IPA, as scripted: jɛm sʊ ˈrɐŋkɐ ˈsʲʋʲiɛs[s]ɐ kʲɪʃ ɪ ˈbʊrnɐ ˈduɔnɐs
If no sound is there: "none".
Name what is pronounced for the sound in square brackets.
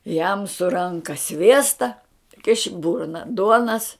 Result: t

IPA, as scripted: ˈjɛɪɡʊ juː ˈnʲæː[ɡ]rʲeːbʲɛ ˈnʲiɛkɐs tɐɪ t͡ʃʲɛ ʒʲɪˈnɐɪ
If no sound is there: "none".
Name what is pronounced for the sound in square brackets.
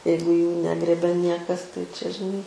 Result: ɡ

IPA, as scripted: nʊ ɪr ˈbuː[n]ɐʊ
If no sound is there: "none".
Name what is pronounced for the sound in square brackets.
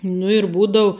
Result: d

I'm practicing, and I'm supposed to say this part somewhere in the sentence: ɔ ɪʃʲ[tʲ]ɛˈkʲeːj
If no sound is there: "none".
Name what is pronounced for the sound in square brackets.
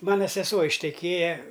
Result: tʲ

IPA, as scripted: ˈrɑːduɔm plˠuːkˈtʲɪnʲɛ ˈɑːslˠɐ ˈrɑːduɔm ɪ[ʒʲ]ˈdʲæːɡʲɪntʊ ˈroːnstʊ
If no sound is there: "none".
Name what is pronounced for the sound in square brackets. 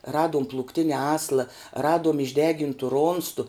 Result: ʒʲ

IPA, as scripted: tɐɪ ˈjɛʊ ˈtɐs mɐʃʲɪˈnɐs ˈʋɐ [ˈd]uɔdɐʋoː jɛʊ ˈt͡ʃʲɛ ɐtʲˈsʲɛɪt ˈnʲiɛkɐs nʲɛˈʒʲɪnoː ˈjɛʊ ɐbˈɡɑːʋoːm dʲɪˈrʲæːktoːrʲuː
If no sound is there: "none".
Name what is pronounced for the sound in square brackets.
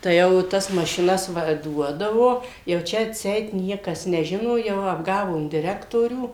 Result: d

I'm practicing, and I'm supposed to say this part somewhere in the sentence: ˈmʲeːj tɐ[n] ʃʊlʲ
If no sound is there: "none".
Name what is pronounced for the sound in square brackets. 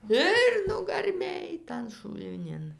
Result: n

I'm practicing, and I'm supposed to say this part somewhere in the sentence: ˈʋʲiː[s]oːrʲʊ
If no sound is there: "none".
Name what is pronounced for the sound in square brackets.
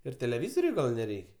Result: z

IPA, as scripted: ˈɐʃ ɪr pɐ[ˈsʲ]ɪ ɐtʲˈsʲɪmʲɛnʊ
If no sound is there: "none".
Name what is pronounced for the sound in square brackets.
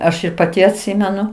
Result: tʲ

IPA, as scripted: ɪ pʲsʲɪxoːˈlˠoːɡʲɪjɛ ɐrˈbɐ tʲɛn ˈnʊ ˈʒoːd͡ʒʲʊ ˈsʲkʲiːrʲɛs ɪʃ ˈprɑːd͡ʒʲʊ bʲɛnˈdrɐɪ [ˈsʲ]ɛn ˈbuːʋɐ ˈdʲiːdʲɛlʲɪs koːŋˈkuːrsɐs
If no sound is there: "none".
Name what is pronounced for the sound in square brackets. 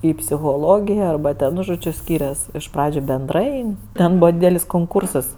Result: tʲ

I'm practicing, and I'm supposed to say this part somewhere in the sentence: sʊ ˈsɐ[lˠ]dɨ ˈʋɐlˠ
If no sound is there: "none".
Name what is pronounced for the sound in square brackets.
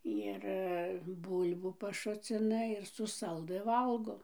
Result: lˠ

